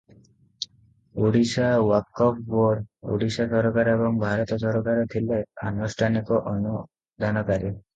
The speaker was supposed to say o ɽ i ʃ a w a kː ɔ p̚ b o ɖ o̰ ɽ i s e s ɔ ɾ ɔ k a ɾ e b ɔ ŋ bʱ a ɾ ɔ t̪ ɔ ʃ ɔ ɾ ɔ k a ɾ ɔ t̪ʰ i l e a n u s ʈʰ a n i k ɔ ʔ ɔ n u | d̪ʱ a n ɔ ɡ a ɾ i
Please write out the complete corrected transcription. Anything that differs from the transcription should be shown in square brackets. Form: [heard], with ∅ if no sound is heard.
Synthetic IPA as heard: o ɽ i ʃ a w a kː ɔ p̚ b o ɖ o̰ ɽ i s [a] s ɔ ɾ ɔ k a ɾ e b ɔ ŋ bʱ a ɾ ɔ t̪ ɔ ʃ ɔ ɾ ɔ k a ɾ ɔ t̪ʰ i l e a n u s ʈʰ a n i k ɔ ʔ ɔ n u | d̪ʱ a n ɔ [k] a ɾ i

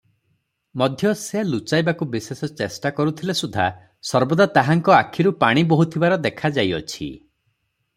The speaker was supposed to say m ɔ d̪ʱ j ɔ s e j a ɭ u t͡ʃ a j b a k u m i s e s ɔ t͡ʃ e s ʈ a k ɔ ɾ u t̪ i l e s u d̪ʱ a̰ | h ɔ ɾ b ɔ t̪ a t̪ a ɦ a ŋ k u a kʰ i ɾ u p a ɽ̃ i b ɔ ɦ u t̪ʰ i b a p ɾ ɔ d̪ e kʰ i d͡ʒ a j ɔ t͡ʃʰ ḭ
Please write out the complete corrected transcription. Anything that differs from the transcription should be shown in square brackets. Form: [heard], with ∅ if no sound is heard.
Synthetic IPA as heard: m ɔ d̪ʱ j ɔ s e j a [l] u t͡ʃ a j b a k u [b] i s e s ɔ t͡ʃ e s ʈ a k ɔ ɾ u [t̪ʰ] i l e s u d̪ʱ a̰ | [s] ɔ ɾ b ɔ [d̪] a t̪ a ɦ a ŋ k [ɔ] a kʰ i ɾ u p a ɽ̃ i b ɔ ɦ u t̪ʰ i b a [∅] ɾ ɔ d̪ e kʰ [a] d͡ʒ a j ɔ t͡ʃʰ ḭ

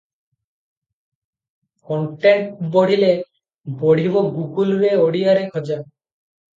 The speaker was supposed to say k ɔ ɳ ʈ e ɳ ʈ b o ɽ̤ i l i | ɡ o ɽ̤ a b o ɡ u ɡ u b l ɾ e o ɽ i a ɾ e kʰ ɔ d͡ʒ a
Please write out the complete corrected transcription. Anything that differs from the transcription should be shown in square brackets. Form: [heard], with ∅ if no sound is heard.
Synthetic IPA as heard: k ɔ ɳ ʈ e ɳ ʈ b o ɽ̤ i l [e] | [b] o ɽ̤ [i] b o ɡ u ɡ u [∅] l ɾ e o ɽ i a ɾ e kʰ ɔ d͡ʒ a

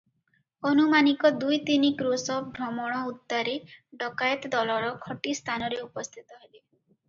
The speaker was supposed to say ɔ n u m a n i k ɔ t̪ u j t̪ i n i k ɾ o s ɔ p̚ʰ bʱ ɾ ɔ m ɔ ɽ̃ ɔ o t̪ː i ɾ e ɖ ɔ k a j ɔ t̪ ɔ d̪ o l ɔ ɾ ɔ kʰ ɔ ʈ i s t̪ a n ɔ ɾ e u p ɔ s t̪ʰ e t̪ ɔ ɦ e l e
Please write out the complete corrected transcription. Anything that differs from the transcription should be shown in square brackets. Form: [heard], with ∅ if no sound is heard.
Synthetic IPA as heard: ɔ n u m a n i k ɔ [d̪] u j t̪ i n i k ɾ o s ɔ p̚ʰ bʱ ɾ ɔ m ɔ ɽ̃ ɔ [u] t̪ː [a] ɾ e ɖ ɔ k a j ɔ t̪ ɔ d̪ [ɔ] l ɔ ɾ ɔ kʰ ɔ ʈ i s [t̪ʰ] a n ɔ ɾ e u p ɔ s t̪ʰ [i] t̪ ɔ ɦ e l e

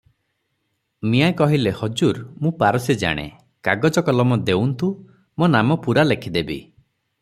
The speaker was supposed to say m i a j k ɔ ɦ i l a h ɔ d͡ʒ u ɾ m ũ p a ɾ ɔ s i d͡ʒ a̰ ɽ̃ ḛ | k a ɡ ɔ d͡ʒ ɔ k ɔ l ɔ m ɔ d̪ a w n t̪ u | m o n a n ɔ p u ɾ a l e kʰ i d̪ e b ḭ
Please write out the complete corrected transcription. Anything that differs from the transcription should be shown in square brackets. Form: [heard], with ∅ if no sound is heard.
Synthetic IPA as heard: m i a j k ɔ ɦ i l [e] h ɔ d͡ʒ u ɾ m ũ p a ɾ ɔ s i d͡ʒ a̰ ɽ̃ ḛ | k a ɡ ɔ d͡ʒ ɔ k ɔ l ɔ m ɔ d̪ [e] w n t̪ u | m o n a [m] ɔ p u ɾ a l e kʰ i d̪ e b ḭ

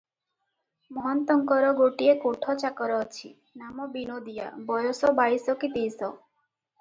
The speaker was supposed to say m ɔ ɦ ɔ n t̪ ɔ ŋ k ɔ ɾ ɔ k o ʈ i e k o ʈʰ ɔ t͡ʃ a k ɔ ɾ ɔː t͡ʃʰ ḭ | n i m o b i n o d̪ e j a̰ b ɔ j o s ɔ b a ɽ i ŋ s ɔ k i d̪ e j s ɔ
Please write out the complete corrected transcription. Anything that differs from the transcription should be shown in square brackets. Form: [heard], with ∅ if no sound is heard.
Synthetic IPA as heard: m ɔ ɦ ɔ n t̪ ɔ ŋ k ɔ ɾ ɔ [ɡ] o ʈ i e k o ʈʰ ɔ t͡ʃ a k ɔ ɾ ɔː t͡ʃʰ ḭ | n [a] m [ɔ] b i n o d̪ [i] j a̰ b ɔ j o s ɔ b a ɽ i [∅] s ɔ k i [t̪] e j s ɔ

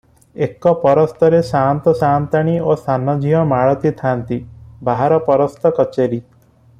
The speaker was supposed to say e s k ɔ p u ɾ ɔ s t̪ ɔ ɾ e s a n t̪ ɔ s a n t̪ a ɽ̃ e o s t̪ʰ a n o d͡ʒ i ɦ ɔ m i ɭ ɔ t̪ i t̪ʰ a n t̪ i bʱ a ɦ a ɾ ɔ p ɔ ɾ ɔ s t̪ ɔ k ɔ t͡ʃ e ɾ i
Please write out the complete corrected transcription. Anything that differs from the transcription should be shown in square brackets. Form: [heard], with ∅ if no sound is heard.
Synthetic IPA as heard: e [∅] k ɔ p [ɔ] ɾ ɔ s t̪ ɔ ɾ e s a n t̪ ɔ s a n t̪ a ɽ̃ [i] o s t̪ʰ a n [ɔ] d͡ʒ i ɦ ɔ m [a] ɭ ɔ t̪ i t̪ʰ a n t̪ i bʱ a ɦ a ɾ ɔ p ɔ ɾ ɔ s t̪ ɔ k ɔ t͡ʃ e ɾ i

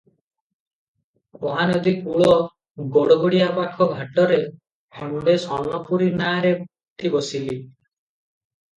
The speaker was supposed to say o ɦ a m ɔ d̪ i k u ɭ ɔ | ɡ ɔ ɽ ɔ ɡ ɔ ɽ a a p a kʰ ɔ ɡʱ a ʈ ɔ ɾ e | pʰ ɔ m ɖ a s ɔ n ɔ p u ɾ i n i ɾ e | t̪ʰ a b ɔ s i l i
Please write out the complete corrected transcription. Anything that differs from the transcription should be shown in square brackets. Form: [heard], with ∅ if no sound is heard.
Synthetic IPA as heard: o ɦ a [n] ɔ d̪ i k u ɭ ɔ | ɡ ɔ ɽ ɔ ɡ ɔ ɽ [i] a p a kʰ ɔ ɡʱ a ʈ ɔ ɾ e | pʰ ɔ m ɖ [e] s ɔ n ɔ p u ɾ i n [a] ɾ e | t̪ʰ [i] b ɔ s i l i

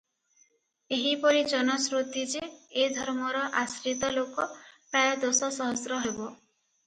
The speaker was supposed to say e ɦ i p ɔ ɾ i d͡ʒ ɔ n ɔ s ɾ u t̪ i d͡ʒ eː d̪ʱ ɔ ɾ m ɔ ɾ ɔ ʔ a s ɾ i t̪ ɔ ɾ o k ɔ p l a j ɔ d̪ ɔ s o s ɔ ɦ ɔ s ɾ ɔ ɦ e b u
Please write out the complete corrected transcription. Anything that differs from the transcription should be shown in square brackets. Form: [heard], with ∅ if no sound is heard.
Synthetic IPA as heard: e ɦ i p ɔ ɾ i d͡ʒ ɔ n ɔ s ɾ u t̪ i d͡ʒ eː d̪ʱ ɔ ɾ m ɔ ɾ ɔ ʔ a s ɾ i t̪ ɔ [l] o k ɔ p [ɾ] a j ɔ d̪ [o] s [ɔ] s ɔ ɦ ɔ s ɾ ɔ ɦ e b [ɔ]

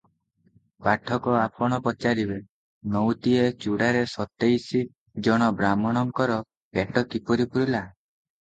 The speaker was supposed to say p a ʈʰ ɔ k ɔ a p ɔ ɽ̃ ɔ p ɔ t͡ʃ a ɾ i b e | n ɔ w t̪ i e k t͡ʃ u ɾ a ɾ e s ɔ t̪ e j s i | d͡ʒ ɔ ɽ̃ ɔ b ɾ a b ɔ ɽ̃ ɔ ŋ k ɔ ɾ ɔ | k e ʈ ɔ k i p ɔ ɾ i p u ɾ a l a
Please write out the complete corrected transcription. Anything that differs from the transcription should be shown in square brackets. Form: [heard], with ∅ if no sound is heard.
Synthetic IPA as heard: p a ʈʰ ɔ k ɔ a p ɔ ɽ̃ ɔ p ɔ t͡ʃ a ɾ i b e | n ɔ w t̪ i e [∅] t͡ʃ u [ɽ] a ɾ e s ɔ t̪ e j s i | d͡ʒ ɔ ɽ̃ ɔ b ɾ a [m] ɔ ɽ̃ ɔ ŋ k ɔ ɾ ɔ | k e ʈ ɔ k i p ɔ ɾ i p u ɾ [i] l a

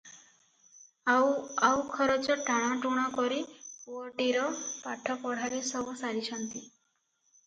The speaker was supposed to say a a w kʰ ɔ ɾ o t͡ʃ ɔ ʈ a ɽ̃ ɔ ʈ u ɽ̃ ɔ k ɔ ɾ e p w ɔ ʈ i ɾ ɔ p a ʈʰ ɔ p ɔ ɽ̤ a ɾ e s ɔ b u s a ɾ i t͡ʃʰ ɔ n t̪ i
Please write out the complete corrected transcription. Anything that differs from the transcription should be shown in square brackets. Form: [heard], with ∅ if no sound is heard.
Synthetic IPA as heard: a a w kʰ ɔ ɾ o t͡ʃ ɔ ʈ a ɽ̃ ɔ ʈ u ɽ̃ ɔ k ɔ ɾ [i] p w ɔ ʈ i ɾ ɔ p a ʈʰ ɔ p ɔ ɽ̤ a ɾ e s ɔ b u s a ɾ i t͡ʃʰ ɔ n t̪ i

